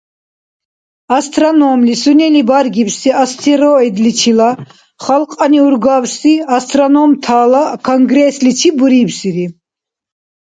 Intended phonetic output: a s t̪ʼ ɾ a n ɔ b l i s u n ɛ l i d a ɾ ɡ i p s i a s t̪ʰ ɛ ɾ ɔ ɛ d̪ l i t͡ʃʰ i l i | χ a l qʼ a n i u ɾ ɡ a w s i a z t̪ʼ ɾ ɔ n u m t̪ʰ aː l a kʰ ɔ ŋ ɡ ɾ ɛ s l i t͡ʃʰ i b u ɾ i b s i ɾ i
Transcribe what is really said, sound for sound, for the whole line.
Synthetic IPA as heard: a s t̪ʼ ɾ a n ɔ m l i s u n ɛ l i b a ɾ ɡ i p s i a s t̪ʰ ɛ ɾ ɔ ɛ d̪ l i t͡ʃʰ i l a | χ a l qʼ a n i u ɾ ɡ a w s i a s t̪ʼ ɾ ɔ n ɔ m t̪ʰ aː l a kʰ ɔ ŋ ɡ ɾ ɛ s l i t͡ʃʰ i b u ɾ i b s i ɾ i